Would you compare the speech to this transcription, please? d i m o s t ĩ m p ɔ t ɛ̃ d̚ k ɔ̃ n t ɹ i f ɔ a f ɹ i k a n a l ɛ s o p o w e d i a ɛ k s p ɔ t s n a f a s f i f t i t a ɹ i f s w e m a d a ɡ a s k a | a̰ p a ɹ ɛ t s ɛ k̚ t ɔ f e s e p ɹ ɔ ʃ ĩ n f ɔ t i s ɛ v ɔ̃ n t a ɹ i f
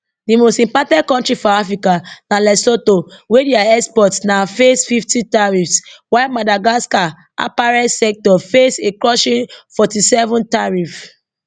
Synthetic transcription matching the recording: d i m o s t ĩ m p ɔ t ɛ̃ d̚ k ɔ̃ n t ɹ i f ɔ a f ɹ i k a n a l ɛ s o t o w e d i a ɛ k s p ɔ t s n a f e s f i f t i t a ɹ i f s w a m a d a ɡ a s k a | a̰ p a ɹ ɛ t s ɛ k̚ t ɔ f e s e k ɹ ɔ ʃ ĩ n f ɔ t i s ɛ v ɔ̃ n t a ɹ i f